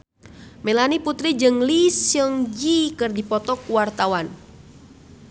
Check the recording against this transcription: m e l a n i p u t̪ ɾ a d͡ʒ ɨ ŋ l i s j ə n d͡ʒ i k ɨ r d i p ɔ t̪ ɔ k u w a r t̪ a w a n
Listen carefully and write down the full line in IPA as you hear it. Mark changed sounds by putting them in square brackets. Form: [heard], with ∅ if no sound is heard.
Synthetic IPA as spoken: m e l a n i p u t̪ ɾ [i] d͡ʒ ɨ ŋ l i s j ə [ŋ] d͡ʒ i k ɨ r d i p ɔ t̪ ɔ k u w a r t̪ a w a n